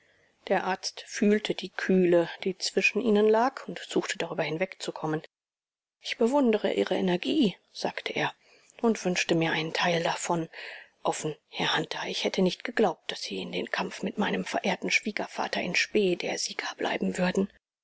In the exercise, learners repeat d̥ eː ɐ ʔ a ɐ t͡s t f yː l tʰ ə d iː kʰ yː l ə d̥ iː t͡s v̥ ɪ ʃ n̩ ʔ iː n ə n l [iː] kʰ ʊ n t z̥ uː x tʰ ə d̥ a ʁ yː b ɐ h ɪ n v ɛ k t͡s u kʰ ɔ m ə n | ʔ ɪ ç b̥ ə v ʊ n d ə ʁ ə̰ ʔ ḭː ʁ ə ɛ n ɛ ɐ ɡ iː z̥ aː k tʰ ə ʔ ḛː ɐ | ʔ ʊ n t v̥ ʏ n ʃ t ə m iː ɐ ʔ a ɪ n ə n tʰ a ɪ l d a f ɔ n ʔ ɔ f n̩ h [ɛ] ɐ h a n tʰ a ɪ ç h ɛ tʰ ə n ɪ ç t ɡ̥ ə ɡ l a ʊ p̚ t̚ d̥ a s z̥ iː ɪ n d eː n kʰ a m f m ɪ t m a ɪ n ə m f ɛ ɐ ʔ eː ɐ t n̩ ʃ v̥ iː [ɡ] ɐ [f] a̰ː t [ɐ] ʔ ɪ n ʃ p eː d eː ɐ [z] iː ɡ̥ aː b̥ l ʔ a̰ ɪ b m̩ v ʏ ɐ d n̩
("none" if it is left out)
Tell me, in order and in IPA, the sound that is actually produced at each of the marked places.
aː, ɛ, ɡ, f, ɐ, z

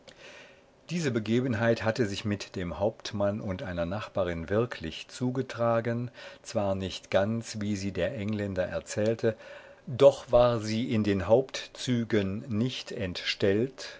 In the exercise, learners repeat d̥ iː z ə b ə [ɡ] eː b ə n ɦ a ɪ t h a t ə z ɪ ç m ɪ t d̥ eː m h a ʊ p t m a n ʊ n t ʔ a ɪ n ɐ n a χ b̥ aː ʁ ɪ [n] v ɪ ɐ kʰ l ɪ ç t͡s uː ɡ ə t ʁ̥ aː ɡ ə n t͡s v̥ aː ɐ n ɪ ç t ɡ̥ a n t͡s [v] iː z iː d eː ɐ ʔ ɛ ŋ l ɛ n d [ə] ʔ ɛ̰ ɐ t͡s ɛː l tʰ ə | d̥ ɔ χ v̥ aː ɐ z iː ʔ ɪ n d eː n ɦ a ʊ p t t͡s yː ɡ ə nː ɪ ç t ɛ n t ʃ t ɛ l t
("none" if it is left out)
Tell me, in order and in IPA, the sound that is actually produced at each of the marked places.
ɡ, n, v, ɐ

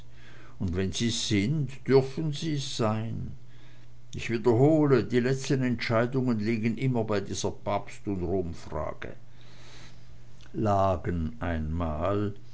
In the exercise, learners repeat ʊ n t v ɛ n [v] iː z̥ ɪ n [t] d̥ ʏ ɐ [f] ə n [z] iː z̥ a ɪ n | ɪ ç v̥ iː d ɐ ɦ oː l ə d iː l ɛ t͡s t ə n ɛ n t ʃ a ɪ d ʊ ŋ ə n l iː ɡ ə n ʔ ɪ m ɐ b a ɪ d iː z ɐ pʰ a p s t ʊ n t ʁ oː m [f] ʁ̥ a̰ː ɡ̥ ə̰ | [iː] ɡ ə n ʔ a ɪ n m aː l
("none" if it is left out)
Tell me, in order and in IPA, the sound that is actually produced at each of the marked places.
z, t, f, z, f, aː

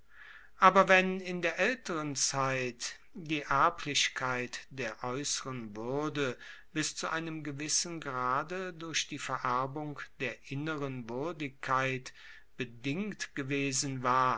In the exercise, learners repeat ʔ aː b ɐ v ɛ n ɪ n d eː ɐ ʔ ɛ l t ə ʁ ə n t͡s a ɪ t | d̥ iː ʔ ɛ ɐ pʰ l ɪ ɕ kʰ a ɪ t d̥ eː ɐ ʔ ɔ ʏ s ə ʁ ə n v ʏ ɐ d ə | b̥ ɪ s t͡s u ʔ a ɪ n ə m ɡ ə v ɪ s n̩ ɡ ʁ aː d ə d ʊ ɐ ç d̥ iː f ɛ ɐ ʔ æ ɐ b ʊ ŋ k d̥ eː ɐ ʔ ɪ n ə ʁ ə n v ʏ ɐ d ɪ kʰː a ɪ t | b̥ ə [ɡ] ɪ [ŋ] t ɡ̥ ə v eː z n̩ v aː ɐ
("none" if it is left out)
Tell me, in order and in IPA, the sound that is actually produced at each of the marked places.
d, ŋ

